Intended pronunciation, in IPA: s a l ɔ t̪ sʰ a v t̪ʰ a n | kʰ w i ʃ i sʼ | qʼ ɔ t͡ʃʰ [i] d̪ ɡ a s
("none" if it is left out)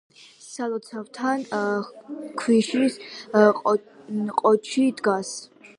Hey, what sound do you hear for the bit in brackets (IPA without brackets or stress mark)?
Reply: i